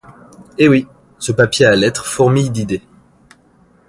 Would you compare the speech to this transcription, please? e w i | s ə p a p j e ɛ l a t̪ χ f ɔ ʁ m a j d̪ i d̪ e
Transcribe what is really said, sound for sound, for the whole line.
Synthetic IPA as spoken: e w i | s ə p a p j e a l ɛ t̪ χ f ɔ ʁ m i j d̪ i d̪ e